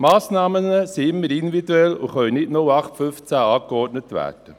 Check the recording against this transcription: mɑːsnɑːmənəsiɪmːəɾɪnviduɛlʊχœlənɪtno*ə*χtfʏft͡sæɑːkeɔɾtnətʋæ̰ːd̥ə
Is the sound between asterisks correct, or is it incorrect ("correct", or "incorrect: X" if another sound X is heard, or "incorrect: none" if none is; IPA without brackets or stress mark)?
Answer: incorrect: ɑ